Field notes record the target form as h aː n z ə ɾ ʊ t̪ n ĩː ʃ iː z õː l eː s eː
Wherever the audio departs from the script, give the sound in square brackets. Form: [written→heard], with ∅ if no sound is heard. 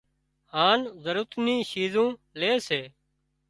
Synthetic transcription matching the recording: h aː n z ə ɾ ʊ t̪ n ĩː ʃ iː z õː l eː s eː

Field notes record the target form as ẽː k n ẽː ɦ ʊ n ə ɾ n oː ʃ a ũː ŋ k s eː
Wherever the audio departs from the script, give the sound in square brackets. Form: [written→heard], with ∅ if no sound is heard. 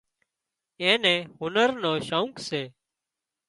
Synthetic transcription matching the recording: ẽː [k→∅] n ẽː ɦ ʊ n ə ɾ n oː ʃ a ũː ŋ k s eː

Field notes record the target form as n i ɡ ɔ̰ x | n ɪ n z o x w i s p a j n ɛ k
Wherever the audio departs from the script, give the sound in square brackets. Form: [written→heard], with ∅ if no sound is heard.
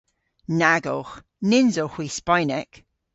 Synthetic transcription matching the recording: n [i→a] ɡ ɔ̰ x | n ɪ n z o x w i s p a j n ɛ k

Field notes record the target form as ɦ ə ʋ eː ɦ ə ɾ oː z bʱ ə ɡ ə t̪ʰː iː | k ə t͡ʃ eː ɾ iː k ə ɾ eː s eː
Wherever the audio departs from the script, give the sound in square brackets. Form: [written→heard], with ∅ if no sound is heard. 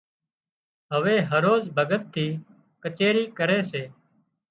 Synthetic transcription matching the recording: ɦ ə ʋ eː ɦ ə ɾ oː z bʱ ə ɡ ə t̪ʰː iː | k ə t͡ʃ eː ɾ iː k ə ɾ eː s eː

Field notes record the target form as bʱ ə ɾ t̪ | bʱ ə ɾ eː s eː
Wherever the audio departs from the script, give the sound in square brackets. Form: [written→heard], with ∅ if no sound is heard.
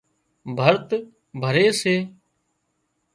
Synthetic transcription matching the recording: bʱ ə ɾ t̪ | bʱ ə ɾ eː s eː

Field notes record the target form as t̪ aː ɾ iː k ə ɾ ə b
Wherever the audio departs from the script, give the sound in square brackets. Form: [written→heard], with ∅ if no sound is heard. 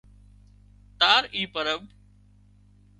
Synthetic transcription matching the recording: t̪ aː ɾ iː [k→p] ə ɾ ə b

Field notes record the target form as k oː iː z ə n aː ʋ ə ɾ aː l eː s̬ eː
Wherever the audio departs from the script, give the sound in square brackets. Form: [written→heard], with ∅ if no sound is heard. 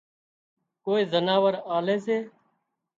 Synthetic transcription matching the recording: k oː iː z ə n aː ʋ ə ɾ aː l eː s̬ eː

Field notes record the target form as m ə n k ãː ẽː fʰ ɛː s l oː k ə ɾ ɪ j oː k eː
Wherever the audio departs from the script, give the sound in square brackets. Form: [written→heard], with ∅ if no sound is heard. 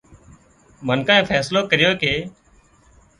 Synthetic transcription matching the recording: m ə n k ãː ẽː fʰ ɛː s l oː k ə ɾ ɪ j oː k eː

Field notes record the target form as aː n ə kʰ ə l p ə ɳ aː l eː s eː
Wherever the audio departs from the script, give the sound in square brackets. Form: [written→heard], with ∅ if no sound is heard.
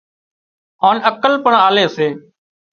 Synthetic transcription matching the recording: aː n ə [kʰ→k] ə l p ə ɳ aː l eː s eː

